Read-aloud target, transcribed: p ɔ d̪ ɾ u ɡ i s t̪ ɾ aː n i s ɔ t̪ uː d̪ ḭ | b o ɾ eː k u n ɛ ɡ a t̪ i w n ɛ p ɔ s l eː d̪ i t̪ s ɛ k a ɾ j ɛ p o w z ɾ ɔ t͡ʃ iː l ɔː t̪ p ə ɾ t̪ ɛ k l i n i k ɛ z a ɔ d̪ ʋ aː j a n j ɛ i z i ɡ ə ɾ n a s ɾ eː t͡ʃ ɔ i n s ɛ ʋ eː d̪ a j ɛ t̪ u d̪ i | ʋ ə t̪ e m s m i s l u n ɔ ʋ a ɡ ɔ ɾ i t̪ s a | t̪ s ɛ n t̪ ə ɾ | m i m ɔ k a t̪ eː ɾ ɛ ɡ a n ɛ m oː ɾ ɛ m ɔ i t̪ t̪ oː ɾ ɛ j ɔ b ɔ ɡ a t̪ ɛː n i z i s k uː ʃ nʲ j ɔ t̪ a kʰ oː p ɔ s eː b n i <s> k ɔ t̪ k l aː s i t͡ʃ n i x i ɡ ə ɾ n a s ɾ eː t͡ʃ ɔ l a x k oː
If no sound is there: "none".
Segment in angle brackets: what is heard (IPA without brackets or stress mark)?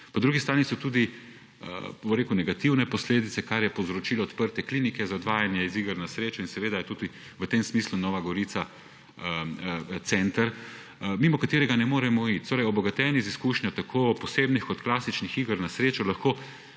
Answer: x